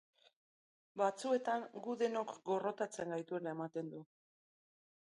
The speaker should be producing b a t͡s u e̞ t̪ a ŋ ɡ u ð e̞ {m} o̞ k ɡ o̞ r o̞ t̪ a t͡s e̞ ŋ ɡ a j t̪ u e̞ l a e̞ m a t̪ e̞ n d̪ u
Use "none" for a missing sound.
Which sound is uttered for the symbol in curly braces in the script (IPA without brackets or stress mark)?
n